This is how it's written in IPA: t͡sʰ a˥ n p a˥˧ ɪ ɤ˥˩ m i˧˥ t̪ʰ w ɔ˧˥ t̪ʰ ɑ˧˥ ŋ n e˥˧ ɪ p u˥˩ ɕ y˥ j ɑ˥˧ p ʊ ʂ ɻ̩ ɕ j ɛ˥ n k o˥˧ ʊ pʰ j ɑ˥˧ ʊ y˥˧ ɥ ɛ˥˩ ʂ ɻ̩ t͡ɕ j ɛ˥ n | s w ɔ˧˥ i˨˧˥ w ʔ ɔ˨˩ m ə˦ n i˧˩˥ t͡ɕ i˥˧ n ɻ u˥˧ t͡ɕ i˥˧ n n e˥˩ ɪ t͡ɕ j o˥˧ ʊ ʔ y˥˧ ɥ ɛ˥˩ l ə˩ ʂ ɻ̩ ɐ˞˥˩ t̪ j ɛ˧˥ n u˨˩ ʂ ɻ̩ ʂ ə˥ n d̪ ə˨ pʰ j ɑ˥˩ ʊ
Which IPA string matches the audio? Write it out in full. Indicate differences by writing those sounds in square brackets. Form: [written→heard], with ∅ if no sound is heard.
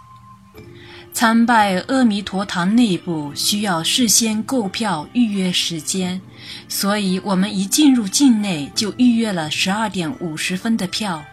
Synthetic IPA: t͡sʰ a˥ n p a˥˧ ɪ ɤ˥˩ m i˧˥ t̪ʰ w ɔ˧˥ t̪ʰ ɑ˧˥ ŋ n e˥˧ ɪ p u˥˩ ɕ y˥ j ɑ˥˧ [p→∅] ʊ ʂ ɻ̩ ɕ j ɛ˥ n k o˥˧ ʊ pʰ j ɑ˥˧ ʊ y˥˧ ɥ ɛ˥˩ ʂ ɻ̩ t͡ɕ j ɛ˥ n | s w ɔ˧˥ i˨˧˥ w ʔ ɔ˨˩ m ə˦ n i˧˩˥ t͡ɕ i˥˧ n ɻ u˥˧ t͡ɕ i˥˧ n n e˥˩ ɪ t͡ɕ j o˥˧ ʊ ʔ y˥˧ ɥ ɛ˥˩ l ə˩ ʂ ɻ̩ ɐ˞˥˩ t̪ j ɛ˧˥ n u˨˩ ʂ ɻ̩ [ʂ→f] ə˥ n d̪ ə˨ pʰ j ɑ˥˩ ʊ